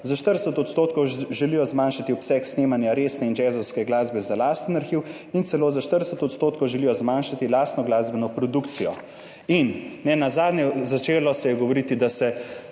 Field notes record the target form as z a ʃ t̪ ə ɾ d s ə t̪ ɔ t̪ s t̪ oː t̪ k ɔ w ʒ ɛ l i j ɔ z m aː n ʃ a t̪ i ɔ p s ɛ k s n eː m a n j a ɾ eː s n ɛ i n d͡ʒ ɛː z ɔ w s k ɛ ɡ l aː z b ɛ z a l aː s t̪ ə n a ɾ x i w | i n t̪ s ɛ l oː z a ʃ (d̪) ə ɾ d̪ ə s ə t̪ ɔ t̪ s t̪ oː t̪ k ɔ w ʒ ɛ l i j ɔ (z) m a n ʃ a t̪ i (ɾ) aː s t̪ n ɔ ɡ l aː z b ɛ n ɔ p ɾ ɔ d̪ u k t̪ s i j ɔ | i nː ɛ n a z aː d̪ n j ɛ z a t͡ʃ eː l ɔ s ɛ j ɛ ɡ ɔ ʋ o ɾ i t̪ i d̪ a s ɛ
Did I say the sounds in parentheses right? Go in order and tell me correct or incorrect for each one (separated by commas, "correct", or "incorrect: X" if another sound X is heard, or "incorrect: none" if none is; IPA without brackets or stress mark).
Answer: incorrect: t̪, correct, incorrect: l